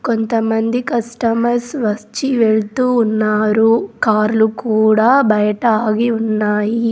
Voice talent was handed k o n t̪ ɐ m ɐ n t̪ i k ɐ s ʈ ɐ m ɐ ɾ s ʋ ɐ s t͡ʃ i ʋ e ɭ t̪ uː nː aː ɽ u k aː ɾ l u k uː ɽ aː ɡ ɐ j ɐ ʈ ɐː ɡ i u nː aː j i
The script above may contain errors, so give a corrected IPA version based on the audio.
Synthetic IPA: k o n t̪ ɐ m ɐ n d̪ i k ɐ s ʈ ɐ m ɐ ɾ s ʋ ɐ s t͡ʃ i ʋ e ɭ t̪ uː nː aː ɾ u k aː ɾ l u k uː ɽ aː b ɐ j ɐ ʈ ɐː ɡ i u nː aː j i

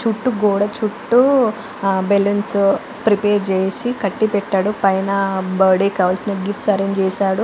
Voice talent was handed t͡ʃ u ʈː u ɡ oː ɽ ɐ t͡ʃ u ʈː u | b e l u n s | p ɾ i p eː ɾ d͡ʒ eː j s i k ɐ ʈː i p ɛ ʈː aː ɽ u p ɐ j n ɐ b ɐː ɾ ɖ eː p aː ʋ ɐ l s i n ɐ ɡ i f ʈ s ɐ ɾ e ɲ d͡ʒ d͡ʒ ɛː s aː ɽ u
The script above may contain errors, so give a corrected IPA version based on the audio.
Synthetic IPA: t͡ʃ u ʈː u ɡ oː ɽ ɐ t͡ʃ u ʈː u | b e l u n s | p ɾ i p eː ɾ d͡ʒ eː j s i k ɐ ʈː i p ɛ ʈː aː ɽ u p ɐ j n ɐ b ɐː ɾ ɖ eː k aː ʋ ɐ l s i n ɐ ɡ i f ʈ s ɐ ɾ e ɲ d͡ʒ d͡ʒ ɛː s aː ɽ u

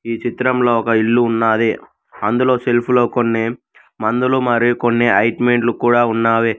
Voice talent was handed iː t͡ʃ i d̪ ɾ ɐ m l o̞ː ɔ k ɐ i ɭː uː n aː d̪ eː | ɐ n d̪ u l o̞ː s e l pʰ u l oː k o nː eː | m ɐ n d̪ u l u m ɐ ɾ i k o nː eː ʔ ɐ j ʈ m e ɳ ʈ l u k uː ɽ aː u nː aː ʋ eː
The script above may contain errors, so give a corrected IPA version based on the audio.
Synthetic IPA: iː t͡ʃ i t̪ ɾ ɐ m l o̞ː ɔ k ɐ i ɭː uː nː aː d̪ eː | ɐ n d̪ u l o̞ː s e l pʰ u l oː k o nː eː | m ɐ n d̪ u l u m ɐ ɾ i k o nː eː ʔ ɐ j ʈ m e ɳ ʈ l u k uː ɽ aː u nː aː ʋ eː

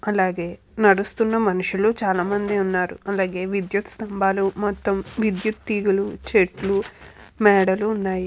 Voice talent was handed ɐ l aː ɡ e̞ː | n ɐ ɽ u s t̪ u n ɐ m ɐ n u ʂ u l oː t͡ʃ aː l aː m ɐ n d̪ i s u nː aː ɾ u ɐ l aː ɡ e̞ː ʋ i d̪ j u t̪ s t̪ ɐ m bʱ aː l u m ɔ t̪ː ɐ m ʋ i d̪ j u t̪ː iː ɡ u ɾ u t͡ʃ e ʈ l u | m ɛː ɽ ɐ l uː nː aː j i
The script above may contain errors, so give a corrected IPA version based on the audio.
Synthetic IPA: ɐ l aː ɡ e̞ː | n ɐ ɽ u s t̪ u nː ɐ m ɐ n u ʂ u l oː t͡ʃ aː l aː m ɐ n d̪ i u nː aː ɾ u ɐ l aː ɡ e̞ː ʋ i d̪ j u t̪ s t̪ ɐ m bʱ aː l u m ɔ t̪ː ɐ m ʋ i d̪ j u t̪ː iː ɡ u l u t͡ʃ e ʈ l u | m ɛː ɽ ɐ l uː nː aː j i

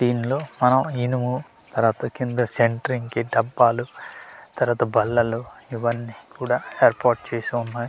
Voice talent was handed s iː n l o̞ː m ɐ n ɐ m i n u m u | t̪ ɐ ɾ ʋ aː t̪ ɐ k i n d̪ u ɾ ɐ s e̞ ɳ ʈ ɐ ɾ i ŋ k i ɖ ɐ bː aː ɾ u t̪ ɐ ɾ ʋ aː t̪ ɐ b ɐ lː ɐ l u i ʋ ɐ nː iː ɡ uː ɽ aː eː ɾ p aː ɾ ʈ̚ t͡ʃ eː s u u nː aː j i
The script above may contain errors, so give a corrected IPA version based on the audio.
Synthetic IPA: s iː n l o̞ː m ɐ n ɐ m i n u m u | t̪ ɐ ɾ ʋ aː t̪ ɐ k i n d̪ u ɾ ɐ s e̞ ɳ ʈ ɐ ɾ i ŋ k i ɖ ɐ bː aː l u t̪ ɐ ɾ ʋ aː t̪ ɐ b ɐ lː ɐ l u i ʋ ɐ nː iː k uː ɽ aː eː ɾ p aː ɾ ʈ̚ t͡ʃ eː s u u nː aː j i

